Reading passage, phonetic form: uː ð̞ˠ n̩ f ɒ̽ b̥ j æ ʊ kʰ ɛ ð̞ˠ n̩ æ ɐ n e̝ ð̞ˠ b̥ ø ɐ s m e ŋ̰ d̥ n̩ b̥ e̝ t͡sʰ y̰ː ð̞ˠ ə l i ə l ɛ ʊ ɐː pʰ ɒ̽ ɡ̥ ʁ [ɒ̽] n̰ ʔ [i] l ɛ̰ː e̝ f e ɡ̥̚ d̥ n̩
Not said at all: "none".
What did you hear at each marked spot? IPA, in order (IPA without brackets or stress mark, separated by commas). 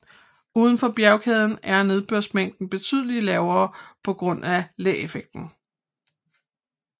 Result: ɔ̽, æ